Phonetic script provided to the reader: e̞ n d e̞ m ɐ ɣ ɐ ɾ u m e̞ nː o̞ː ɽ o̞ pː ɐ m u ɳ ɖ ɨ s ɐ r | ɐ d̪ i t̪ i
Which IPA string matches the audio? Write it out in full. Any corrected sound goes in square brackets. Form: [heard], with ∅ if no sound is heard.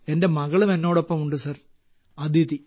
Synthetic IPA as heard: e̞ n d e̞ m ɐ ɣ ɐ [ɭ] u m e̞ nː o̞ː ɽ o̞ pː ɐ m u ɳ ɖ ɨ s ɐ r | ɐ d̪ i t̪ i